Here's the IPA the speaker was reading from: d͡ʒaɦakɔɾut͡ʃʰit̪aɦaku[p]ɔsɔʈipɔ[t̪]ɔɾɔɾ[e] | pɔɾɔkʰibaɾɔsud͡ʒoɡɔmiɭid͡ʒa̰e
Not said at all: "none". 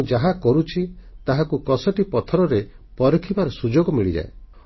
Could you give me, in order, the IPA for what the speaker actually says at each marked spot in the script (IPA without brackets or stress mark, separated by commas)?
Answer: k, t̪ʰ, e